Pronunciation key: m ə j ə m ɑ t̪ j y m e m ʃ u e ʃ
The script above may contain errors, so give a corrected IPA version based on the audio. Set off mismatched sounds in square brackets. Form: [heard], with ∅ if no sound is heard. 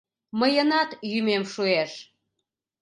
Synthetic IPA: m ə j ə [n] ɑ t̪ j y m e m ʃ u e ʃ